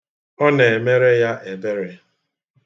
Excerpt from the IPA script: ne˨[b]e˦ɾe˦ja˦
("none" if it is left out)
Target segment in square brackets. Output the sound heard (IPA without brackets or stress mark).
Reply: m